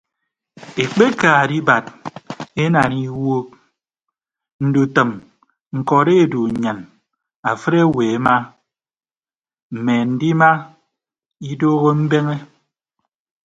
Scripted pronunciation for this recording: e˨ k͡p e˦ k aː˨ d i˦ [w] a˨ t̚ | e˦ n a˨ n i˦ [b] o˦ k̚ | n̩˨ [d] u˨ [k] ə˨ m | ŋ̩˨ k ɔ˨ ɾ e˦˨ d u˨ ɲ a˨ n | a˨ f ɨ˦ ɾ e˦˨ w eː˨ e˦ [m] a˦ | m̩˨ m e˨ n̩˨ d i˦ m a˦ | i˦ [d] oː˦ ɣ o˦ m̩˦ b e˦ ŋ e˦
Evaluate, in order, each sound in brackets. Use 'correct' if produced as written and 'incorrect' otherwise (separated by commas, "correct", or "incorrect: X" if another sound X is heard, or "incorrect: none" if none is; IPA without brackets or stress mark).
incorrect: b, incorrect: w, correct, incorrect: t, correct, correct